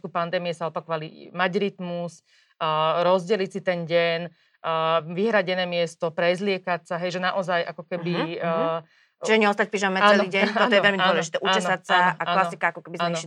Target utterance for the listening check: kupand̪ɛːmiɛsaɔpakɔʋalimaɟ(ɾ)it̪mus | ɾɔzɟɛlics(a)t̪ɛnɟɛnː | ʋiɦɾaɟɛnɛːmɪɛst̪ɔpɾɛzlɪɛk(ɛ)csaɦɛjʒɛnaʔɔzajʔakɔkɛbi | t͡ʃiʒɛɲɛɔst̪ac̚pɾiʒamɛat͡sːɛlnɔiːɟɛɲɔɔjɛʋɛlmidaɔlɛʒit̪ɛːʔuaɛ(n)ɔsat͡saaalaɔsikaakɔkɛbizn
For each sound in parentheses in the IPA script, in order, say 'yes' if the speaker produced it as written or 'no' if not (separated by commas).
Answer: yes, no, no, yes